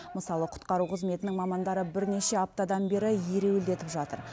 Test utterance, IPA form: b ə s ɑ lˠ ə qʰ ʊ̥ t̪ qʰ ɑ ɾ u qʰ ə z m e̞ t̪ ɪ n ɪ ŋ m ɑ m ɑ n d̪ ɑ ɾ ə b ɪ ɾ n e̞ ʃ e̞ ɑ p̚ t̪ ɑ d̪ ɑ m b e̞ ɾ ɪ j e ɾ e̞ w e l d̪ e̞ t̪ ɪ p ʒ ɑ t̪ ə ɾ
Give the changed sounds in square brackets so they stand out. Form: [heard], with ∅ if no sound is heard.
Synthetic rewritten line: [m] ə s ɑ lˠ ə qʰ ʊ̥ t̪ [q] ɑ ɾ u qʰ ə z m e̞ t̪ ɪ n ɪ ŋ m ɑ m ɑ n d̪ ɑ ɾ ə b ɪ ɾ n e̞ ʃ e̞ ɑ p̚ t̪ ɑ d̪ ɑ [n] b e̞ ɾ ɪ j e ɾ e̞ w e l d̪ e̞ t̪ ɪ p ʒ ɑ t̪ ə ɾ